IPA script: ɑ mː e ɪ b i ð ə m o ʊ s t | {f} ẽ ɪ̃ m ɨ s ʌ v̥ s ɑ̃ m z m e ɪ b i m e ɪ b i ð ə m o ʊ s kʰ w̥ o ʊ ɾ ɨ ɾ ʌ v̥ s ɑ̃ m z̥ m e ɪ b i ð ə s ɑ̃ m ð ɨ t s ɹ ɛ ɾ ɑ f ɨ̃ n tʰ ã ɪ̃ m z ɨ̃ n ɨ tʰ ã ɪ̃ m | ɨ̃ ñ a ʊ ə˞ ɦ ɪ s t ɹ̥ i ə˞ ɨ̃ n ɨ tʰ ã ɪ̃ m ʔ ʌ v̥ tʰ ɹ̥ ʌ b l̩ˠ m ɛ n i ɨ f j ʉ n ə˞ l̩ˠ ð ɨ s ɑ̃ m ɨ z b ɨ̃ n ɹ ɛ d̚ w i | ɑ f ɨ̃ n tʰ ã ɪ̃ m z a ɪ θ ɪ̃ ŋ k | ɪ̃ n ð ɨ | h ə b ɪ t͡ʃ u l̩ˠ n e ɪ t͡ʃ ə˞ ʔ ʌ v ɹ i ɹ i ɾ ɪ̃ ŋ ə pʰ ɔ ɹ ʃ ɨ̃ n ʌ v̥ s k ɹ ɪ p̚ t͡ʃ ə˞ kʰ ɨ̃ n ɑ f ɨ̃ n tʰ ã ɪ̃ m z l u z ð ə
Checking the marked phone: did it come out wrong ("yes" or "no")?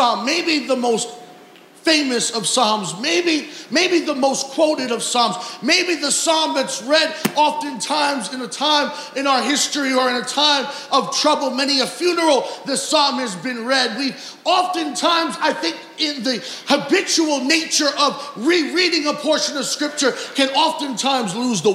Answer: no